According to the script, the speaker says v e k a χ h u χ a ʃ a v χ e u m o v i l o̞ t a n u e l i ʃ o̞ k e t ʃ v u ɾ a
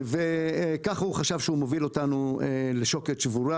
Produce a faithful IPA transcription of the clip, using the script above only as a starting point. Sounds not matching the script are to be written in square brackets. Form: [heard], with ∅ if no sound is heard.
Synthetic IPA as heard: v e k a χ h u χ a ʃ a v [ʃ] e u m o v i l o̞ t a n u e l [e] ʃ o̞ k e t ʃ v u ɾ a

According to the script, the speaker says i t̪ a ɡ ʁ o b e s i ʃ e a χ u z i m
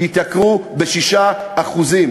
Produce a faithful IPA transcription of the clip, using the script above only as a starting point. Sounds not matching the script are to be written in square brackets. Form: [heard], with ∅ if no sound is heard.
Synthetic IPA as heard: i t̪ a [k] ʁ [u] b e [ʃ] i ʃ [a] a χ u z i m

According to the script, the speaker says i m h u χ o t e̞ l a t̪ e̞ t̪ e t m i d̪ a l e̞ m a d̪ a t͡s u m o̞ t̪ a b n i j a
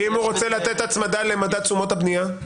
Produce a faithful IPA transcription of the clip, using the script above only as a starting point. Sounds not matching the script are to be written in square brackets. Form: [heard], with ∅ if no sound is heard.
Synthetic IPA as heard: i m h u [ʁ] o [t͡s] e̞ l a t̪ e̞ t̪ [a] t m [a] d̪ a l e̞ m a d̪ a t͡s u m o̞ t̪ a b n i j a

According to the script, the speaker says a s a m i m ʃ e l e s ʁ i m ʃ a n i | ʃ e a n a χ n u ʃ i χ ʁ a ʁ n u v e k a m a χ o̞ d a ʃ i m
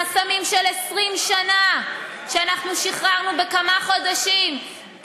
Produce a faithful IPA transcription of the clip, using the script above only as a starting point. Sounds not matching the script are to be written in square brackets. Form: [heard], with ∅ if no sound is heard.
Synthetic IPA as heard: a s a m i m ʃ e l e s ʁ i m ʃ a n [a] | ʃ e a n a χ n u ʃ i χ ʁ a ʁ n u [b] e k a m a χ o̞ d a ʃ i m

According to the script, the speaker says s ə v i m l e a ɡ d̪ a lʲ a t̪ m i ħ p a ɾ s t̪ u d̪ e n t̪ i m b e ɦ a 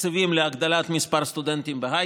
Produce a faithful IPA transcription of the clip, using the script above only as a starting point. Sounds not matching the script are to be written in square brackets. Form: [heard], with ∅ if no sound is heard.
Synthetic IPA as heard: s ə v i m l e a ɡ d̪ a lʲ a t̪ m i [s] p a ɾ s t̪ u d̪ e n t̪ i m b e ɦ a

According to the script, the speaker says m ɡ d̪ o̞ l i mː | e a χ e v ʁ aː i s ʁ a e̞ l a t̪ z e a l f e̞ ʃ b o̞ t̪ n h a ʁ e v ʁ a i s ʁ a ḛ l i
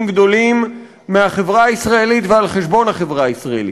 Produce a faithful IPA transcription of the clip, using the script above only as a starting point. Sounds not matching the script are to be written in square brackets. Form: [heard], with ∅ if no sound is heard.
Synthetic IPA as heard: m ɡ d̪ o̞ l i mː | e a χ e v ʁ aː i s ʁ a e̞ l [i] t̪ [v] e a l [χ] e̞ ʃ b o̞ [∅] n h a [χ] e v ʁ a i s ʁ a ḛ l i

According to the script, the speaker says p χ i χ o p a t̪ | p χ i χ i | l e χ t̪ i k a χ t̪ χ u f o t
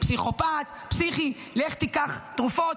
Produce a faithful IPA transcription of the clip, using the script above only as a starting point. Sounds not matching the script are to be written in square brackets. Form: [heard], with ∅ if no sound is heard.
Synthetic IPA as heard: p [s] i χ o p a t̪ | p [s] i χ i | l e χ t̪ i k a χ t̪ [ʁ] u f o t

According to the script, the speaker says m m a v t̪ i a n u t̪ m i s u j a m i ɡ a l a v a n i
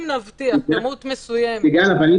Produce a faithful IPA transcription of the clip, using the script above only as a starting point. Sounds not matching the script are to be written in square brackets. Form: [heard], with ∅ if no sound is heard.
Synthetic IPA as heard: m [n] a v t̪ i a [m] u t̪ m [e] s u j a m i ɡ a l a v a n i

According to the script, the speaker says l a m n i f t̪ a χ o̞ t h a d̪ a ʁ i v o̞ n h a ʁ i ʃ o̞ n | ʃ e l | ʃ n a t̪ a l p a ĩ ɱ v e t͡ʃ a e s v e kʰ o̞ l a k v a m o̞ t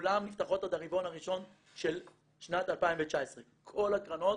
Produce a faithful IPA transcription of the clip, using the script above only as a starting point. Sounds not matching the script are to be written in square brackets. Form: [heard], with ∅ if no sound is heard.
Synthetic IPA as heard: l a m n i f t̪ a χ o̞ t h a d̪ a ʁ i v o̞ n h a ʁ i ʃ o̞ n | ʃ e l | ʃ n a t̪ a l p a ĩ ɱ v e t͡ʃ a e s [ʁ] e kʰ o̞ l a k [ʁ] a [n] o̞ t

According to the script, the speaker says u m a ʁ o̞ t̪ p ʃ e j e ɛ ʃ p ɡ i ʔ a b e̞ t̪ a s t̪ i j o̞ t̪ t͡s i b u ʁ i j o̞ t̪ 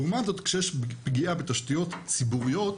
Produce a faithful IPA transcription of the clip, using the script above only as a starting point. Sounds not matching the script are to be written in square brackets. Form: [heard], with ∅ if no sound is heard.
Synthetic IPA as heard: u m a [z] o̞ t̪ [k] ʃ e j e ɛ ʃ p ɡ i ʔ a b e̞ t̪ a [ʃ] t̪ i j o̞ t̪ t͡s i b u ʁ i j o̞ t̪

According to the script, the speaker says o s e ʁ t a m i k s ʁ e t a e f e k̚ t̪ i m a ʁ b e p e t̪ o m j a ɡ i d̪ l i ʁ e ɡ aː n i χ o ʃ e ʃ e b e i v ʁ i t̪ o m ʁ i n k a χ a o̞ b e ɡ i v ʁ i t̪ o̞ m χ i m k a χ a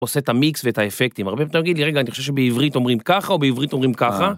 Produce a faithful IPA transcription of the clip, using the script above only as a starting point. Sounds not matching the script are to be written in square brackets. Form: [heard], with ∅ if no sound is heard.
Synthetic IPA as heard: o s e [∅] t a m i k s [v] e t a e f e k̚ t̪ i m a ʁ b e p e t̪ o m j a ɡ i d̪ l i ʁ e ɡ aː n i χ o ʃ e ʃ e b e i v ʁ i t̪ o m ʁ i [m] k a χ a o̞ b e [∅] i v ʁ i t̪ o̞ m [ʁ] i m k a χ a

